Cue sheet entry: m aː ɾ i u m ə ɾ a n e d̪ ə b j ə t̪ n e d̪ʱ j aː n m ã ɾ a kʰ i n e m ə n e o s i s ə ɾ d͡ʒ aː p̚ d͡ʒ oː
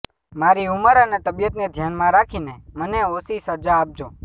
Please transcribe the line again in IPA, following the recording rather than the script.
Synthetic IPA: m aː ɾ i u m ə ɾ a n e t̪ ə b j ə t̪ n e d̪ʱ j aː n m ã ɾ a kʰ i n e m ə n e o s i s ə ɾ d͡ʒ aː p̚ d͡ʒ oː